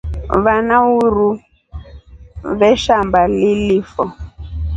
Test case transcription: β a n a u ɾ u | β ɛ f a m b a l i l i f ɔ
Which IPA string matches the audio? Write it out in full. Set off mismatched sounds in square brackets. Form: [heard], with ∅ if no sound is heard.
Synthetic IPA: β a n a u ɾ u | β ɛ [ʃ] a m b a l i l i f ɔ

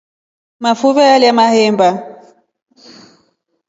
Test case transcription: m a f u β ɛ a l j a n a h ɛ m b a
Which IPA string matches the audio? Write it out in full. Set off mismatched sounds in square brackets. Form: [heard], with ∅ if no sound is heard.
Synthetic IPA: m a f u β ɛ a l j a [m] a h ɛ m b a

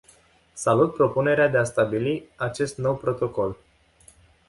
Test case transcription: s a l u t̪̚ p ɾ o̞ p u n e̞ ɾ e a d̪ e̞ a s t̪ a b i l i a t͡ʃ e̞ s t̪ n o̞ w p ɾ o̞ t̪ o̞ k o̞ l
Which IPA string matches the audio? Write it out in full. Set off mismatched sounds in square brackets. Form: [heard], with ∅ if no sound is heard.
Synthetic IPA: s a l u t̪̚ p ɾ o̞ p u n e̞ ɾ e a d̪ e̞ a s t̪ a b i l i a t͡ʃ e̞ s t̪ n o̞ w p ɾ o̞ t̪ o̞ k o̞ l

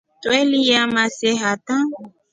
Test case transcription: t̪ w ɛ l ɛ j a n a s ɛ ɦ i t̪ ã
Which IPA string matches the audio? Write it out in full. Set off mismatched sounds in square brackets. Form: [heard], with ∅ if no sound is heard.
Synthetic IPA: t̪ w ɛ l [i] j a [m] a s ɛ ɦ [a] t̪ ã

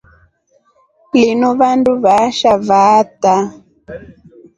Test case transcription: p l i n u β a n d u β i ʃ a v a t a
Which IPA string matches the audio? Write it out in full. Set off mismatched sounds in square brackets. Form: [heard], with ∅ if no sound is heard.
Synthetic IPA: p l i n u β a n d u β [a] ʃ a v a t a

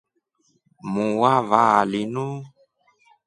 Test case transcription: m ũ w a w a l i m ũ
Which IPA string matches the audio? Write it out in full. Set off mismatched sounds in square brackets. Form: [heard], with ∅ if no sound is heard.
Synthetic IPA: m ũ w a [v] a l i [n] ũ

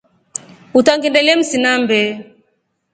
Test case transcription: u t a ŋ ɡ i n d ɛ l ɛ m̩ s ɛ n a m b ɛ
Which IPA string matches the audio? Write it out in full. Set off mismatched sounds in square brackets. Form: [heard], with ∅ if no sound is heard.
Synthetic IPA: u t a ŋ ɡ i n d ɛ l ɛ m̩ s [i] n a m b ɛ

